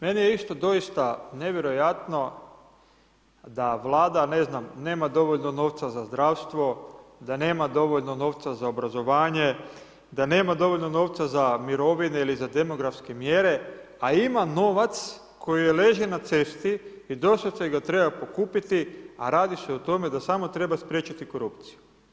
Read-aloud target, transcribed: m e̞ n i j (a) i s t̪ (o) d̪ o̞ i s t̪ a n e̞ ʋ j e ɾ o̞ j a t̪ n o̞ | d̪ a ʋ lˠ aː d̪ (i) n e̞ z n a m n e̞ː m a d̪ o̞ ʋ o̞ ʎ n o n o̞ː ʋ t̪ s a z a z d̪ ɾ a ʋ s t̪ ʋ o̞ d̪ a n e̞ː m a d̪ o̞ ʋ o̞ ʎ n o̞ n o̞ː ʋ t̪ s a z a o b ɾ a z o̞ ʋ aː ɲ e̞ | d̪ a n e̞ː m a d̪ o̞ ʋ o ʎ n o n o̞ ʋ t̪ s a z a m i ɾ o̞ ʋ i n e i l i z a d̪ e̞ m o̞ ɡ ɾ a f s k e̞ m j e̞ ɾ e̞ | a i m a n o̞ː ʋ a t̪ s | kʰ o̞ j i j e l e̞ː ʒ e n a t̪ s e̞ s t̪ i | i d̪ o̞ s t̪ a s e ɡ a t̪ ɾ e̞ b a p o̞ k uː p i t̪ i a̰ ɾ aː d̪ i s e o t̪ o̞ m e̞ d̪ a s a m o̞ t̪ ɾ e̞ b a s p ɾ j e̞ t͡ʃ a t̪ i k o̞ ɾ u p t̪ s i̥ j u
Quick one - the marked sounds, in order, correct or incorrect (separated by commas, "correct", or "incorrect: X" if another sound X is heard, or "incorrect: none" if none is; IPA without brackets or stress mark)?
incorrect: e, correct, incorrect: a